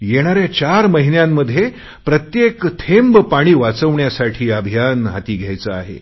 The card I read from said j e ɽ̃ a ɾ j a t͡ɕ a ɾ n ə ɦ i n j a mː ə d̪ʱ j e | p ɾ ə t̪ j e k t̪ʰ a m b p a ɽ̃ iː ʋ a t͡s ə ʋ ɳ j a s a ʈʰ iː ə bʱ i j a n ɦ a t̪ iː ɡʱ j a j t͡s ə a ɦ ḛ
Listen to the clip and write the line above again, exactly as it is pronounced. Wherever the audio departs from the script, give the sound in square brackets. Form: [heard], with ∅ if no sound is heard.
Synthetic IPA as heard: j e ɽ̃ a ɾ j a t͡ɕ a ɾ [m] ə ɦ i n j a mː ə d̪ʱ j e | p ɾ ə t̪ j e k t̪ʰ [e] m b p a ɽ̃ iː ʋ a t͡s ə ʋ ɳ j a s a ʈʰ iː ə bʱ i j a n ɦ a t̪ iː ɡʱ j a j t͡s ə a ɦ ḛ